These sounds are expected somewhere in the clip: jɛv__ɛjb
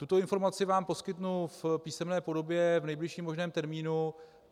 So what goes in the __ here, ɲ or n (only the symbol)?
n